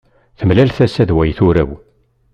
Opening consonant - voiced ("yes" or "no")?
no